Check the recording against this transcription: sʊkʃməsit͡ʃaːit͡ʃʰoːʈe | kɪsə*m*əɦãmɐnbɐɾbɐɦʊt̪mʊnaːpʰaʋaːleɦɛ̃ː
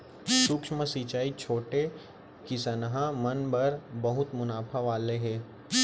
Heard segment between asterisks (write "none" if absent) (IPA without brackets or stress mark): n